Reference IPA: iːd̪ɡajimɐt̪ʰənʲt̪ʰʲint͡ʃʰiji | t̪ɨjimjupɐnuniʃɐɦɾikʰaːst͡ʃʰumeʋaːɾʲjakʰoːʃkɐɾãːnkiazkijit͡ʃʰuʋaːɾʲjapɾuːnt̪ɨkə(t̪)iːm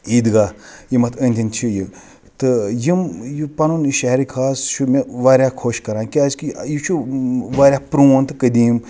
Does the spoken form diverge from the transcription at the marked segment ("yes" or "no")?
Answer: yes